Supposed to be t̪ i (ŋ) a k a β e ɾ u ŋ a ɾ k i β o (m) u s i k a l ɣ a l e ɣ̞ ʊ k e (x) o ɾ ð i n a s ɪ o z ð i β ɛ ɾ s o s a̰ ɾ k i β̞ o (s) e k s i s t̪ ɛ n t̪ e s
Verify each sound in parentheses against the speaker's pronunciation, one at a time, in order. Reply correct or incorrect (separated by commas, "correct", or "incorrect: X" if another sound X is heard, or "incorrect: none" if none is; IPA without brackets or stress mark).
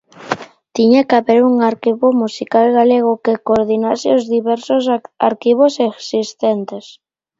incorrect: ɲ, correct, incorrect: k, correct